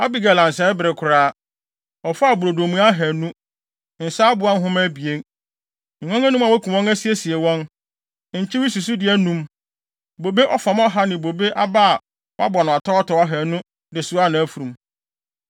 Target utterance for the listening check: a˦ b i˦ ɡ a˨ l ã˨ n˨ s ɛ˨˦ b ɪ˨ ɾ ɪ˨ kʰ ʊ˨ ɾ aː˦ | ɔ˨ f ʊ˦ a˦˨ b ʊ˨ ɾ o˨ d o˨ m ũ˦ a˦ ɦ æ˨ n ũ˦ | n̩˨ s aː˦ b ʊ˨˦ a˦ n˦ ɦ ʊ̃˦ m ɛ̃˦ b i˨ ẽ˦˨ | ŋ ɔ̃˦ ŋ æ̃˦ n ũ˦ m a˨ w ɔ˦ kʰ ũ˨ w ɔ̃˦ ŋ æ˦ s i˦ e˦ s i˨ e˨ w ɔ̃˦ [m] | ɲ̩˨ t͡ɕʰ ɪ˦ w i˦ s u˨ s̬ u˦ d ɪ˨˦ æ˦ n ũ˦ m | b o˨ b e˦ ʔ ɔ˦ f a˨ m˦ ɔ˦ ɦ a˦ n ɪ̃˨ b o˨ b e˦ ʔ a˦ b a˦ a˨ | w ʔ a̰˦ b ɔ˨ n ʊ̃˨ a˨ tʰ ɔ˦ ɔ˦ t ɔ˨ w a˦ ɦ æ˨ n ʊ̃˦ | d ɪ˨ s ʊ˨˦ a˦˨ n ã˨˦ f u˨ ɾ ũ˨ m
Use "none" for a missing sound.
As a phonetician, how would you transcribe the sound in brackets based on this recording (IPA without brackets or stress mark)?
n